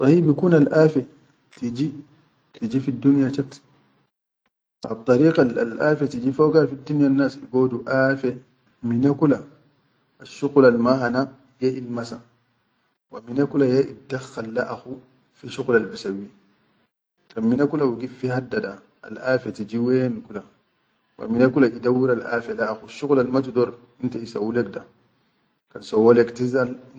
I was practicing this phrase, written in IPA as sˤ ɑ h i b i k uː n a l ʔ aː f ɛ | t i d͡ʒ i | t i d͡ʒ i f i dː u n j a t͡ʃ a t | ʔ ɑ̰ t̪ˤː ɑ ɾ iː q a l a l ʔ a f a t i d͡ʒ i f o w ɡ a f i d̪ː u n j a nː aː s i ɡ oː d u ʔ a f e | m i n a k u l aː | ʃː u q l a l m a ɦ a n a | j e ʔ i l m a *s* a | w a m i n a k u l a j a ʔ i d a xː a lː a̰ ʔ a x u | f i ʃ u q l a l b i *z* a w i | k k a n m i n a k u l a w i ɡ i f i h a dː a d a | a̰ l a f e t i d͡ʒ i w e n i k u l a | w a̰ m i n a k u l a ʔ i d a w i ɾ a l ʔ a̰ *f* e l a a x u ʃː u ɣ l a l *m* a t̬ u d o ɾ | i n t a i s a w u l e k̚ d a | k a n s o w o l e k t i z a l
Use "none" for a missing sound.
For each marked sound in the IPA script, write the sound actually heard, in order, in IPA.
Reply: s, s, f, m

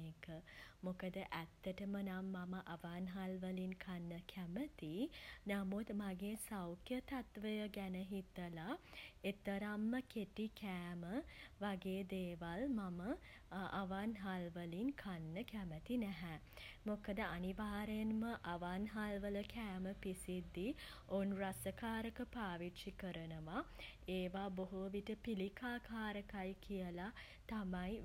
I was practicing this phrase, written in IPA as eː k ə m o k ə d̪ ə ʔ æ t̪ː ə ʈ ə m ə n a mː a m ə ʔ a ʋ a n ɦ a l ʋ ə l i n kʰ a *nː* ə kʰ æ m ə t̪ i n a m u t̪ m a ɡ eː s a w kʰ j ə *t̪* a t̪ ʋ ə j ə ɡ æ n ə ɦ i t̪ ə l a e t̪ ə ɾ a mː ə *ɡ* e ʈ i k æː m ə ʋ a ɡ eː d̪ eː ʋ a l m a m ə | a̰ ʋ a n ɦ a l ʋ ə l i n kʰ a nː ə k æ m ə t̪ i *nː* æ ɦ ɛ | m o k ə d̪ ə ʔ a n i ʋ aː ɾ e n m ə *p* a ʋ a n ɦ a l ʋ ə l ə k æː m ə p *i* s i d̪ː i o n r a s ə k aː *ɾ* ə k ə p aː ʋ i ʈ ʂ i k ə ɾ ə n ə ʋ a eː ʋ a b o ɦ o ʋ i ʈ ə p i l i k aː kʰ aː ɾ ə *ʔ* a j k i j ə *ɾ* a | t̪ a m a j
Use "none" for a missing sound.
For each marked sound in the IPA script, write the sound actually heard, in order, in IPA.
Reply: nː, t̪, k, n, ʔ, i, ɾ, k, l

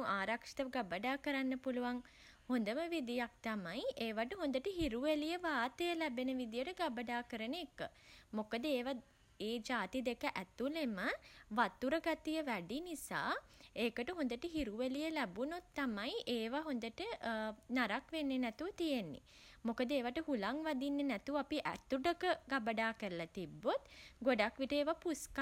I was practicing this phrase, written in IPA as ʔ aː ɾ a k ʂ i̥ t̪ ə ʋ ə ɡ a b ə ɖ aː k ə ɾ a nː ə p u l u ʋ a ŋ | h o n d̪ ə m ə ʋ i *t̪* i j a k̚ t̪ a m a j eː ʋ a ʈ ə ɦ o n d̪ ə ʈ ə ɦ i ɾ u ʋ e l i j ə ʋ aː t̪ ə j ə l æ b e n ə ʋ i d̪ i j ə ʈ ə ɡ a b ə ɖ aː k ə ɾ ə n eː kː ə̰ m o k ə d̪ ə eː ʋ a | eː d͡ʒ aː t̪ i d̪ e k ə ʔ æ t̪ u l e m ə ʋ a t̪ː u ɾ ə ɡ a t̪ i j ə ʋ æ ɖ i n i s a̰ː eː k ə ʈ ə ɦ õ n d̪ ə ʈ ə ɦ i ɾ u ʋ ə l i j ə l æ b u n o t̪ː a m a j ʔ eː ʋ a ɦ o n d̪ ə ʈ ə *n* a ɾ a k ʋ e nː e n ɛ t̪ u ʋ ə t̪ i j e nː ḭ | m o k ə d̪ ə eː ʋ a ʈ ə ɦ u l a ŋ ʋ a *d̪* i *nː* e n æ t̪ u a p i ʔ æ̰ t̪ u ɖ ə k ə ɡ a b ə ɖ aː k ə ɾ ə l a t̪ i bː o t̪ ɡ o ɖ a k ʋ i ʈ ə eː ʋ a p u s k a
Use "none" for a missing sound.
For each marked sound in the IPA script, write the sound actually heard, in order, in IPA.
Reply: d̪, n, d̪, nː

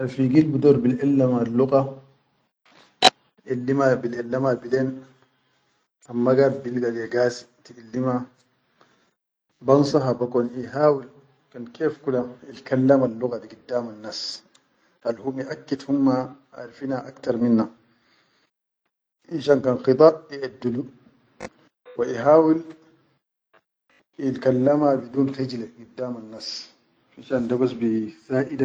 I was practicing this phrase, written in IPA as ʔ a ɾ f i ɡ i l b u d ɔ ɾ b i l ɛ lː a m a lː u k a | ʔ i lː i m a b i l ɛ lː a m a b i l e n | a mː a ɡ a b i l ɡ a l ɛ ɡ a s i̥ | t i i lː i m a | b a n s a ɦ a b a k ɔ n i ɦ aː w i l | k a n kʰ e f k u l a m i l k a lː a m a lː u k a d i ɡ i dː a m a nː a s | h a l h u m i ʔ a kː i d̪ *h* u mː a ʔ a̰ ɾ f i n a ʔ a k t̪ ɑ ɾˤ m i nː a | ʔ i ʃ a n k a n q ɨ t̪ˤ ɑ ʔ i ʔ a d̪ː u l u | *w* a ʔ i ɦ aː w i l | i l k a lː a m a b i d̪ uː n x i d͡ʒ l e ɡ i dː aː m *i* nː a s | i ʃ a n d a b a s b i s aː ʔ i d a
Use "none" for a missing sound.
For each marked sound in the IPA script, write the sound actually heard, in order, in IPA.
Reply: h, w, a

